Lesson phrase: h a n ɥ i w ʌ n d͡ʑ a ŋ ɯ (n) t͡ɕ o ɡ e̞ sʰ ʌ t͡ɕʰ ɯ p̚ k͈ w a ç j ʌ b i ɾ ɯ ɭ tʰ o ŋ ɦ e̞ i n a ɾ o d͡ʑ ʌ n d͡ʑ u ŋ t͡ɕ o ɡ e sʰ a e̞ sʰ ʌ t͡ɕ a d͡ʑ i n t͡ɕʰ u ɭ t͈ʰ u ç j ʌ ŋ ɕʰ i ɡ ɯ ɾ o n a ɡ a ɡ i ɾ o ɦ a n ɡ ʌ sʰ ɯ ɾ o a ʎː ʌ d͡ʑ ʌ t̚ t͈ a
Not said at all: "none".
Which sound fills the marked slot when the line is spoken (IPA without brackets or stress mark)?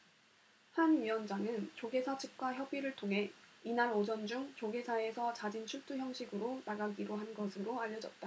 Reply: n